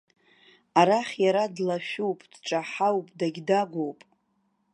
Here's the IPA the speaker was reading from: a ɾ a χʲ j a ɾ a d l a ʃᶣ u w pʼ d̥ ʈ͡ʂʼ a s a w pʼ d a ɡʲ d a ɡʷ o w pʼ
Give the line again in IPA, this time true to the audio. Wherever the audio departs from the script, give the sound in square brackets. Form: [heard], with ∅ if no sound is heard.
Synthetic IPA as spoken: a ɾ a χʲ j a ɾ a d l a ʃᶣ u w pʼ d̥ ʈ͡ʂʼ a [ħ] a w pʼ d a ɡʲ d a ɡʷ o w pʼ